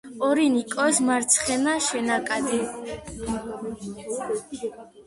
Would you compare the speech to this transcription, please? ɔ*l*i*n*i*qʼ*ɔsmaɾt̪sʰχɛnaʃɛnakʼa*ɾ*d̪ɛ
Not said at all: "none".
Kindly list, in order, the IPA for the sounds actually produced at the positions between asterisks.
ɾ, n, kʼ, none

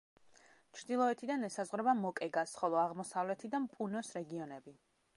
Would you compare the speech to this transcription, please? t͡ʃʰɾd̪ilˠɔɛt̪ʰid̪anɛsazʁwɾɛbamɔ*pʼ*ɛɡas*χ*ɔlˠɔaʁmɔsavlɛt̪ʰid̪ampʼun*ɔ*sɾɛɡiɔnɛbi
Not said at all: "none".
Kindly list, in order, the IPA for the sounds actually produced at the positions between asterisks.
kʼ, χ, ɔ

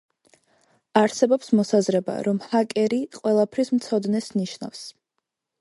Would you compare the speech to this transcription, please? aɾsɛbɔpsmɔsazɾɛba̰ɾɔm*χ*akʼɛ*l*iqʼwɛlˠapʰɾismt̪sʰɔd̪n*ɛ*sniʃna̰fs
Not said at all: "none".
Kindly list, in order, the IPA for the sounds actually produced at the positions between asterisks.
h, ɾ, ɛ

